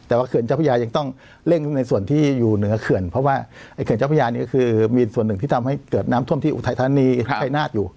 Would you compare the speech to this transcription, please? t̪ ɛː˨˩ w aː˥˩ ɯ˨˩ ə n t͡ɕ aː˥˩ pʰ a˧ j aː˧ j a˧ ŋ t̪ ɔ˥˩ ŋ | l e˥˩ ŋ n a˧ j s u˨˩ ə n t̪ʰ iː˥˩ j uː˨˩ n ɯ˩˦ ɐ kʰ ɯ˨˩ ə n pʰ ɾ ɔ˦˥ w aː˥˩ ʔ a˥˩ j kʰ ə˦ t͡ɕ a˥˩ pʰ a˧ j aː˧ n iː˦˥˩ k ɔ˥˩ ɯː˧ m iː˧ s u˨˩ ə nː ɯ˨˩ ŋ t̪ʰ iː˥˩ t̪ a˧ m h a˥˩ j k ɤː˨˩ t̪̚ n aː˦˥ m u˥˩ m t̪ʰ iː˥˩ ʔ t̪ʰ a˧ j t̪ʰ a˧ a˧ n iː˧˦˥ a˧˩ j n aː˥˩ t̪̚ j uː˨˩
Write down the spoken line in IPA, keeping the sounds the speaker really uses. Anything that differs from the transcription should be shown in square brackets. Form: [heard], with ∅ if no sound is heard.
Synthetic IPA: t̪ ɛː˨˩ w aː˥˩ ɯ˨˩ ə n t͡ɕ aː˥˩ pʰ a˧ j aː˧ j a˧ ŋ t̪ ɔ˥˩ ŋ | l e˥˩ ŋ n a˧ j s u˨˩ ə n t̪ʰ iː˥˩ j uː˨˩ n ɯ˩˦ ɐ kʰ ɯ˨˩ ə n pʰ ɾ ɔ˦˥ w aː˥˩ ʔ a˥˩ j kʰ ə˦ t͡ɕ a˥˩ pʰ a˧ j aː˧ n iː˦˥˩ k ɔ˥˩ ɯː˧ m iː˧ s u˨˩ ə nː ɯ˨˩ ŋ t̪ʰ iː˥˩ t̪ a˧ m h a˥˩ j k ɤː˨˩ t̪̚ n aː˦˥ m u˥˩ m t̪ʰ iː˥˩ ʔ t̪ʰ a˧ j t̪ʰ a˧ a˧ n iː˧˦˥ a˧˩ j n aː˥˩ t̪̚ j uː˨˩